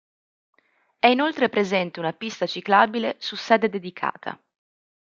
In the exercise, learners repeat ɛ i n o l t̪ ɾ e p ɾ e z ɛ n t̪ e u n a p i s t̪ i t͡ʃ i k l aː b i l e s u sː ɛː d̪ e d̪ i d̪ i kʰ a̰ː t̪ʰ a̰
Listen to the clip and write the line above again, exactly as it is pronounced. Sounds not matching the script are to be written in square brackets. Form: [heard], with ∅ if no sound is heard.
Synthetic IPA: ɛ i n o l t̪ ɾ e p ɾ e z ɛ n t̪ e u n a p i s t̪ [a] t͡ʃ i k l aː b i l e s u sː ɛː d̪ e d̪ [e] d̪ i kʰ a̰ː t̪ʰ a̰